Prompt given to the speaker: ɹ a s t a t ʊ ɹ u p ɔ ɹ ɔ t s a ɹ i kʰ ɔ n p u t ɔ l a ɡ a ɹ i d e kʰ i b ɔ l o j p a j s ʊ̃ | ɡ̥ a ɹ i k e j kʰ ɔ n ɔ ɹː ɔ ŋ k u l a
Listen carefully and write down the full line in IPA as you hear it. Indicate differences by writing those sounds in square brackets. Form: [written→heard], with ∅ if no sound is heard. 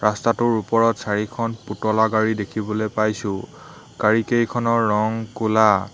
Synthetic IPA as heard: ɹ a s t a t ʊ ɹ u p ɔ ɹ ɔ t s a ɹ i kʰ ɔ n p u t ɔ l a ɡ a ɹ i d e kʰ i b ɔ l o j p a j s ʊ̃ | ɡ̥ a ɹ i k e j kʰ ɔ n ɔ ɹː ɔ ŋ k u l a